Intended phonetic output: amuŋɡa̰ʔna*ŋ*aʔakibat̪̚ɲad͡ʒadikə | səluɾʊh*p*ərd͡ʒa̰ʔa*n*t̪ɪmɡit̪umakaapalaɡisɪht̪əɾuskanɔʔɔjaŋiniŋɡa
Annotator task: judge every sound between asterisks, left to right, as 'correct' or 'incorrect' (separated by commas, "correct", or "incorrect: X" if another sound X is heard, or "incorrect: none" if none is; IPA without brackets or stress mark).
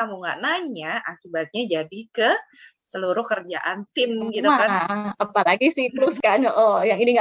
incorrect: ɲ, incorrect: k, correct